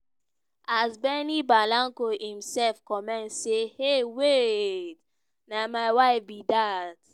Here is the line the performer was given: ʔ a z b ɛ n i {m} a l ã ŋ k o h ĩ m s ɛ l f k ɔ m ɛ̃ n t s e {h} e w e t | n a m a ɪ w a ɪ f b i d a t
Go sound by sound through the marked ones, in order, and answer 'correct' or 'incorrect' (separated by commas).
incorrect, correct